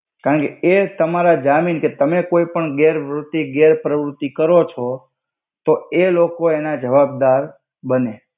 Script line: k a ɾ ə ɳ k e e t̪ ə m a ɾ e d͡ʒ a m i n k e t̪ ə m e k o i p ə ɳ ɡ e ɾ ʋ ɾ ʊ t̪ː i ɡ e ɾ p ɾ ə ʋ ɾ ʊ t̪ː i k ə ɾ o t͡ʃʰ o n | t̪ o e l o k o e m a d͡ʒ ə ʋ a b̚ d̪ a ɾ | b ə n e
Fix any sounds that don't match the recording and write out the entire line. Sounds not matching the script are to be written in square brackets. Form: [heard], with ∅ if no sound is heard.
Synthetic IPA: k a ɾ ə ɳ k e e t̪ ə m a ɾ [a] d͡ʒ a m i n k e t̪ ə m e k o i p ə ɳ ɡ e ɾ ʋ ɾ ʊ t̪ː i ɡ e ɾ p ɾ ə ʋ ɾ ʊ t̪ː i k ə ɾ o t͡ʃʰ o [∅] | t̪ o e l o k o e [n] a d͡ʒ ə ʋ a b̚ d̪ a ɾ | b ə n e